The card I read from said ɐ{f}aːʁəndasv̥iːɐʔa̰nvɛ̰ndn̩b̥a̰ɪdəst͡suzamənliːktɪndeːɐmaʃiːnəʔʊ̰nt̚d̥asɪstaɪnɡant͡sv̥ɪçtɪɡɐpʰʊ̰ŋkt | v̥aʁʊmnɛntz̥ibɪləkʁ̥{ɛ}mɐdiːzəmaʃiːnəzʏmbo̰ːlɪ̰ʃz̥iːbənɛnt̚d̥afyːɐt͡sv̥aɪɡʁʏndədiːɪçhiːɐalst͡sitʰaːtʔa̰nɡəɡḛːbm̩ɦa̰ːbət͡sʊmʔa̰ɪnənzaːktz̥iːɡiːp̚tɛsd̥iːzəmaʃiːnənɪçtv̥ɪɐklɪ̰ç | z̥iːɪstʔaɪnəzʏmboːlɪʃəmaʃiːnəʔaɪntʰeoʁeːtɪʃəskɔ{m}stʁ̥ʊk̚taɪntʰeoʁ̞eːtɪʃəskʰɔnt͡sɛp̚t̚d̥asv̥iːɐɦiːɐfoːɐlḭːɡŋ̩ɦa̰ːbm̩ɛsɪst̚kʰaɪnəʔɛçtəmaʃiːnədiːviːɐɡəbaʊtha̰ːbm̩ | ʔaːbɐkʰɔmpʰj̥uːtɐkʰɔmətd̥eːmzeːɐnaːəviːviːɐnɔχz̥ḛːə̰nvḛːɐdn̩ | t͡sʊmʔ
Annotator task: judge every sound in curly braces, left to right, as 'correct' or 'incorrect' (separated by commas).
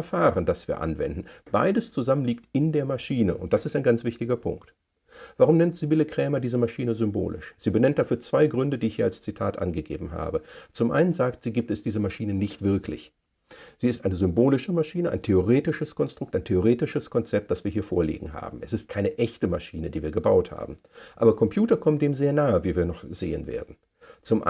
correct, incorrect, incorrect